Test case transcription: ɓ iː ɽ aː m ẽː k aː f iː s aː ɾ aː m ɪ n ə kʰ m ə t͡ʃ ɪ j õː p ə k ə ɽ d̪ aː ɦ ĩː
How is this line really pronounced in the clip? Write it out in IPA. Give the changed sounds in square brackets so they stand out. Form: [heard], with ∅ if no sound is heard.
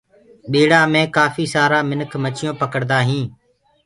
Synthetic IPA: ɓ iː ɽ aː m ẽː k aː f iː s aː ɾ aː m ɪ n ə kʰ m ə t͡ʃ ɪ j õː p ə k ə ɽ d̪ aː ɦ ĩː